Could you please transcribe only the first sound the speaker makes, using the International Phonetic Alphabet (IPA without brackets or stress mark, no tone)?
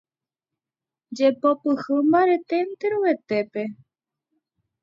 d͡ʒ